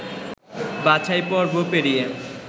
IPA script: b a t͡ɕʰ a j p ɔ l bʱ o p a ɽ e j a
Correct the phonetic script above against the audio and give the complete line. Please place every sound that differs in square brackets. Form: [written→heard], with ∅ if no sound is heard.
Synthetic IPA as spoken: b a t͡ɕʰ a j p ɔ [l→ɾ] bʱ o p [a→e] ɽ [e→i] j [a→e]